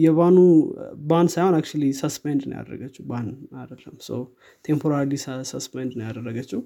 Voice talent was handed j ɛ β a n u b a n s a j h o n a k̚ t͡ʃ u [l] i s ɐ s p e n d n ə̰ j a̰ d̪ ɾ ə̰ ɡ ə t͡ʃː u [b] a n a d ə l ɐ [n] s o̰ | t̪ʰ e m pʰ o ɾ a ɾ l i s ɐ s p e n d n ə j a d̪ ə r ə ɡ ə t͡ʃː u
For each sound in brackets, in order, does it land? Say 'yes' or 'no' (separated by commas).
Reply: yes, yes, no